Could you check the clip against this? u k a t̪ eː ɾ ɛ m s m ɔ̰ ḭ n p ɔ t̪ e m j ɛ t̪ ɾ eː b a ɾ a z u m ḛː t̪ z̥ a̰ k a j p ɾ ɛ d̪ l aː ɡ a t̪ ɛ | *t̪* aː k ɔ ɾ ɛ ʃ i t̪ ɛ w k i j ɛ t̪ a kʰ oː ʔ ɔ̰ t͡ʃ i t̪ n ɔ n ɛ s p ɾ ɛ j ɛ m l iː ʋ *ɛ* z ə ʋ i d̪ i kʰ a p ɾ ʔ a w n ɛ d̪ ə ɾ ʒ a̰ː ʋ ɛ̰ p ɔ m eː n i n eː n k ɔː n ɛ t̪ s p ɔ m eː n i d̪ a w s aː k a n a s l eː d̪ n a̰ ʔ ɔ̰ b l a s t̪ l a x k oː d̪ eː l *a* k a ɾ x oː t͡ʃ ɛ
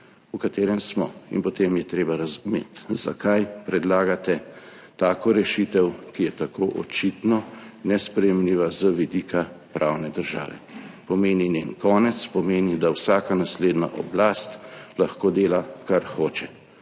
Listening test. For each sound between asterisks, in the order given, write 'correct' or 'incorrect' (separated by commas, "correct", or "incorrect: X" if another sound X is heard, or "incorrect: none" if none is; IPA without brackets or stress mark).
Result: correct, incorrect: a, correct